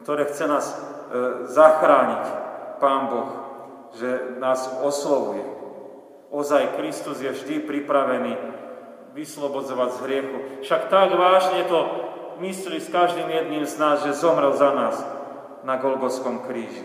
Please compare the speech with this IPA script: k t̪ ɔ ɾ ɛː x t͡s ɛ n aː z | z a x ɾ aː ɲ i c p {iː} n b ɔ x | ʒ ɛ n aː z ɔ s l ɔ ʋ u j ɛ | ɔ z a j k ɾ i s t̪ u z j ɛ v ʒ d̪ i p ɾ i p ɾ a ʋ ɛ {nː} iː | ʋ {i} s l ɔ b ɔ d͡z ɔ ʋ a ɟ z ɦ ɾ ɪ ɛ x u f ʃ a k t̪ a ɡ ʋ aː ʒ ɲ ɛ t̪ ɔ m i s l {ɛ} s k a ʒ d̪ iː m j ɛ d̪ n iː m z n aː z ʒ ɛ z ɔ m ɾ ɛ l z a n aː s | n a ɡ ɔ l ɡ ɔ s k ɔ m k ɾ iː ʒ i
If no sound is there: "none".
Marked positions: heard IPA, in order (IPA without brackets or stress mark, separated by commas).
aː, n, i, i